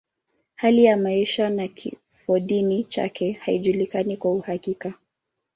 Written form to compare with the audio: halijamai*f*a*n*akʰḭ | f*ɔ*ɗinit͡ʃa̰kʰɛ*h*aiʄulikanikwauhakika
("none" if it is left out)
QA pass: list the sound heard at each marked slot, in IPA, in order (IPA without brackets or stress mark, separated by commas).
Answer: ʃ, n, ɔ, h